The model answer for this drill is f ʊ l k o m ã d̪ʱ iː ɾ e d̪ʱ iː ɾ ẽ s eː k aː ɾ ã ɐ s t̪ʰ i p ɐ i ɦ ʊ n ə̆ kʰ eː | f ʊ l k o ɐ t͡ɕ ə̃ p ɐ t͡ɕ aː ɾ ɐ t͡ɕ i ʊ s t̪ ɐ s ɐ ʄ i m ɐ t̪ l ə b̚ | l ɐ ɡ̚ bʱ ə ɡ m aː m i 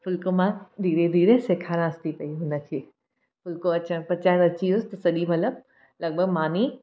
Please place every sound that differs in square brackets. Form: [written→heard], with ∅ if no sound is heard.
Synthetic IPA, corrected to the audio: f ʊ l k o m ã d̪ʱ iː ɾ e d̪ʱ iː ɾ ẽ s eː [k→kʰ] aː ɾ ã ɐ s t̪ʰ i p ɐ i ɦ ʊ n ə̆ kʰ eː | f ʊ l k o ɐ t͡ɕ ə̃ p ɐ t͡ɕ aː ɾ ɐ t͡ɕ i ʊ s t̪ ɐ s ɐ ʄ i m ɐ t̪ l ə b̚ | l ɐ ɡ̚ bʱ ə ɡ m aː [m→n] i